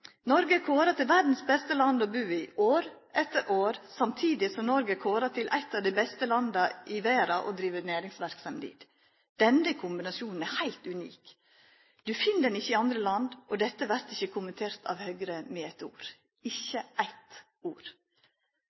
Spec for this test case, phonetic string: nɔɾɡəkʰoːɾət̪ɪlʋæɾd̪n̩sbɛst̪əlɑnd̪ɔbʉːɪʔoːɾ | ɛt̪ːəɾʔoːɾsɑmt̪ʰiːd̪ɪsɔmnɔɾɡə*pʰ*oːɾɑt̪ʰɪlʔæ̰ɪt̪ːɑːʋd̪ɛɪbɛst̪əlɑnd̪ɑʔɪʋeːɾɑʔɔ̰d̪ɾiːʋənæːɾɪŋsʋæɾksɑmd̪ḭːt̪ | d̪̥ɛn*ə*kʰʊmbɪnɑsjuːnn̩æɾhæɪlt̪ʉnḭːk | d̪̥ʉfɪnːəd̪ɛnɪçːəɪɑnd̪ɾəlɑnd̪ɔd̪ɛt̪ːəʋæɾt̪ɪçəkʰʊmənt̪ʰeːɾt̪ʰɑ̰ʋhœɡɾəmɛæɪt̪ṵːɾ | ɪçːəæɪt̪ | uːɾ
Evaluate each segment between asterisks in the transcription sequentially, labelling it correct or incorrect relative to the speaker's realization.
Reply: incorrect, correct

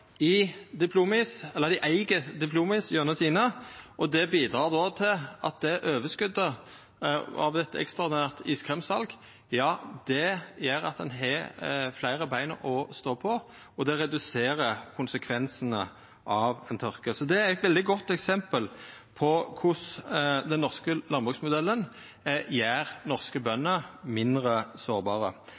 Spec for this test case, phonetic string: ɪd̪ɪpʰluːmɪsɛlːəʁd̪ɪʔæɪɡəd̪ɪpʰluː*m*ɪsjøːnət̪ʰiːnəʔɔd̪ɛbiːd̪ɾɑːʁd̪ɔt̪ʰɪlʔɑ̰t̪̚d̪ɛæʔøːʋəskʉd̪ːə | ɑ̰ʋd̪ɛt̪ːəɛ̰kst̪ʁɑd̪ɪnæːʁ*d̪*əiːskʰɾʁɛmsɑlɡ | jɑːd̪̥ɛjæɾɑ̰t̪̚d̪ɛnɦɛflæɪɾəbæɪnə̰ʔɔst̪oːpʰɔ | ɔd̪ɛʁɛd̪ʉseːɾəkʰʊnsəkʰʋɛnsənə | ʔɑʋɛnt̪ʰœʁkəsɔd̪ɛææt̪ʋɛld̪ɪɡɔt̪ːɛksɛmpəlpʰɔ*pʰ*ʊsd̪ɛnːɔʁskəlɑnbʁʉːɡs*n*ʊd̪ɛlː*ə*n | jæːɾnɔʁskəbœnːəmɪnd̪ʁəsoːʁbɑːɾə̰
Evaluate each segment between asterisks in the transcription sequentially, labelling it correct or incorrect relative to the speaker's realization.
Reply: correct, incorrect, incorrect, incorrect, correct

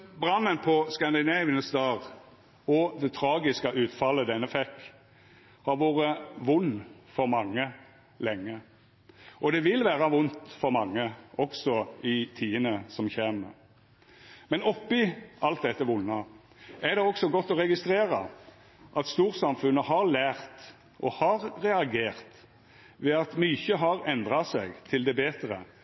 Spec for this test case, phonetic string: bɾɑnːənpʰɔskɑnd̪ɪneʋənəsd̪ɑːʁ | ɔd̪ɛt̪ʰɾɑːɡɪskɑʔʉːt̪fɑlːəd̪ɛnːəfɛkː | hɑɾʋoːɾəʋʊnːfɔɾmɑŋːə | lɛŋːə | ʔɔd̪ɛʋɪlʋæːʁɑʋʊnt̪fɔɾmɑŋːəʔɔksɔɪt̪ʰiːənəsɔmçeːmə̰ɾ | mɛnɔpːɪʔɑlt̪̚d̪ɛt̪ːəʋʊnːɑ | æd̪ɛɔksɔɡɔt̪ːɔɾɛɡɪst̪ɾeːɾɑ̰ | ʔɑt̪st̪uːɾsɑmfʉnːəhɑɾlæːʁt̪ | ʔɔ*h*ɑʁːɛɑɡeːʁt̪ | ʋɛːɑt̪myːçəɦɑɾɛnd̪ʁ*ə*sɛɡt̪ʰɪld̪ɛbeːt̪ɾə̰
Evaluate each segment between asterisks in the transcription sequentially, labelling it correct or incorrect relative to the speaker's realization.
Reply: correct, incorrect

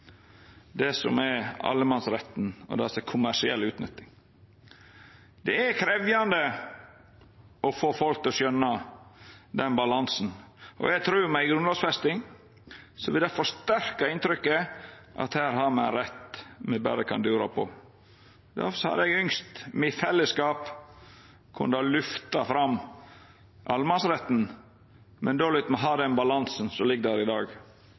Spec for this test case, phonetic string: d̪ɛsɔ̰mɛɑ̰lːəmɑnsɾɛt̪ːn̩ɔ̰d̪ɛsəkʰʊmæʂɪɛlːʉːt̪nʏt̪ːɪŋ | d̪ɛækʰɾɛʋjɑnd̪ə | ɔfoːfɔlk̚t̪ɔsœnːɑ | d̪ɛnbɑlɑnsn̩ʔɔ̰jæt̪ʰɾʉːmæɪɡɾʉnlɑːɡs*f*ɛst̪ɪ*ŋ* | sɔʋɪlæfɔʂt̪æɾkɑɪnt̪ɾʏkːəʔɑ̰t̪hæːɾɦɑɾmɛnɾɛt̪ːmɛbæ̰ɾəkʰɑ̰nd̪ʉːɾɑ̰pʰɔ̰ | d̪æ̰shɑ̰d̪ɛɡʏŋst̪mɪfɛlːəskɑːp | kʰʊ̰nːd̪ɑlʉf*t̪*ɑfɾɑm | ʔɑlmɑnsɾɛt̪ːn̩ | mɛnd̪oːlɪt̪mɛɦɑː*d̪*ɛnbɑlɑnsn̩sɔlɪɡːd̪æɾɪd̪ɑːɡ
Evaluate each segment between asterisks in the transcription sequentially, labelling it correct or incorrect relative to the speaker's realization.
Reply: correct, correct, correct, correct

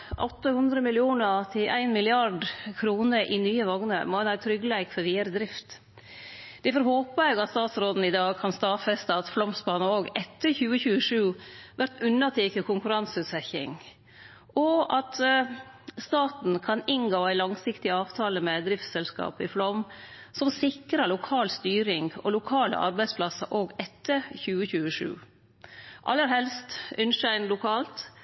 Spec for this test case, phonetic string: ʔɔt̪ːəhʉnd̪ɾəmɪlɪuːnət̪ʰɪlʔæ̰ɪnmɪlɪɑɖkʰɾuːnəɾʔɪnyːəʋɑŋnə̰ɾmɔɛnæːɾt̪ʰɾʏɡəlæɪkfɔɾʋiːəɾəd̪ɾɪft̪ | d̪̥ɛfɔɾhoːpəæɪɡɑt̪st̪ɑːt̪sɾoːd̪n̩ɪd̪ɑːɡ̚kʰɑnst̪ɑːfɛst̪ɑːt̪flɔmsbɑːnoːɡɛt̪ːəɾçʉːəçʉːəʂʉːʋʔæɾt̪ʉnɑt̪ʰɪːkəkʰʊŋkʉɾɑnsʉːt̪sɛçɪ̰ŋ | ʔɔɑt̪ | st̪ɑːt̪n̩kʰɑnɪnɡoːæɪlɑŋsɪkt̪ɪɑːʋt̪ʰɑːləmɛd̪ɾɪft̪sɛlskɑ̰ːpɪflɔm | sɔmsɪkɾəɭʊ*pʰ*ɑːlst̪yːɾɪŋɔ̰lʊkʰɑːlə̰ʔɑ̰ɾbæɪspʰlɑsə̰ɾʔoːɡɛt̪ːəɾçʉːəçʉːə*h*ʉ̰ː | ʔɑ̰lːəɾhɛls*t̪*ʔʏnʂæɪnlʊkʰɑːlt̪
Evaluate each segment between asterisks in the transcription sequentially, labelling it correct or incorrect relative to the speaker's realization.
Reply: incorrect, incorrect, correct

